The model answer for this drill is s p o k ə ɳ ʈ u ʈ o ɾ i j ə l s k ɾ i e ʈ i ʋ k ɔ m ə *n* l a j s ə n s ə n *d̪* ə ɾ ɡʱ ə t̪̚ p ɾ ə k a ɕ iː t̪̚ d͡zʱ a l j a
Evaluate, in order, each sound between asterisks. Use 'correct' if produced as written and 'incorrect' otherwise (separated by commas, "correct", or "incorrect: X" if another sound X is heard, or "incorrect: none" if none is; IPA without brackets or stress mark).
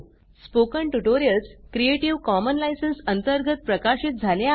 correct, incorrect: t̪